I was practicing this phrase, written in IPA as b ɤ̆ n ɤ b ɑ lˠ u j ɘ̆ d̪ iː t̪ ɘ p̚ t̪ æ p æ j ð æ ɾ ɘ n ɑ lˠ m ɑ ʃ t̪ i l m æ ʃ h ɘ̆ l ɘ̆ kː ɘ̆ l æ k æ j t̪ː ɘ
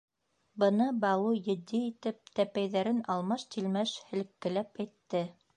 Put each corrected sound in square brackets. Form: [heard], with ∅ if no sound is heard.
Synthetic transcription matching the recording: b ɤ̆ n ɤ b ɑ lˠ u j ɘ̆ d̪ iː t̪ ɘ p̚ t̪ æ p æ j ð æ ɾ ɘ n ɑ lˠ m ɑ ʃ t̪ i l m æ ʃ h ɘ̆ l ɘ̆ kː ɘ̆ l æ [p] æ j t̪ː ɘ